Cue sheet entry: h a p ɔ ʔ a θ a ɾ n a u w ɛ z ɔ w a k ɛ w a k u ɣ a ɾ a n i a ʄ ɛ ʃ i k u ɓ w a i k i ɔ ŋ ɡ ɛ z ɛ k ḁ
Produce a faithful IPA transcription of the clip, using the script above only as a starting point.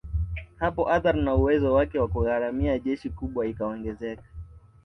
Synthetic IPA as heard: h a p ɔ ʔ a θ a ɾ n a u w ɛ z ɔ w a k ɛ w a k u ɣ a ɾ a m i a ʄ ɛ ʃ i k u ɓ w a i k a ɔ ŋ ɡ ɛ z ɛ k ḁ